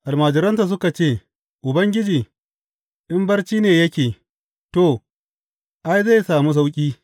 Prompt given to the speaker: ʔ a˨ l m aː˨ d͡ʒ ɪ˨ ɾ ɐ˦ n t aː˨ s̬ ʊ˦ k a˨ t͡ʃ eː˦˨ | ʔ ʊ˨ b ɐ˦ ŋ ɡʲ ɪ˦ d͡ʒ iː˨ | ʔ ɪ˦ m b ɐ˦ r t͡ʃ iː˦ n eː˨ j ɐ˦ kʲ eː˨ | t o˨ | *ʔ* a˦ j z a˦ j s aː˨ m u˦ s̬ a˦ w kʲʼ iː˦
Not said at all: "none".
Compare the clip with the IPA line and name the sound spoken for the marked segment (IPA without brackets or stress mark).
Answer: ʔ